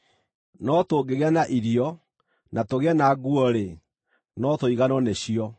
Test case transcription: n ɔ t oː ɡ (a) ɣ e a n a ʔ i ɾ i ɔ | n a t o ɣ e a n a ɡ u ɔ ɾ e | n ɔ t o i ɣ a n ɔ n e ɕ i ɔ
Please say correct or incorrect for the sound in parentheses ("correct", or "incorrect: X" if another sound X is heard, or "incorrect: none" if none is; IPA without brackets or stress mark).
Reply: incorrect: e